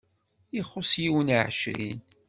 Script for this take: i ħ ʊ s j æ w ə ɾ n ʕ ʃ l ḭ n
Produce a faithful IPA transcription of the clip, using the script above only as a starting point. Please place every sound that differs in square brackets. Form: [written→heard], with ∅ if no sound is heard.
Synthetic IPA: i [ħ→χ] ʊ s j [æ→i] w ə [ɾ→∅] n ʕ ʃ [l→ɾ] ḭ n